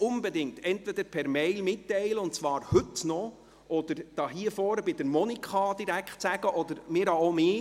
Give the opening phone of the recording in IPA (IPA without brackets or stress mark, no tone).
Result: ʊ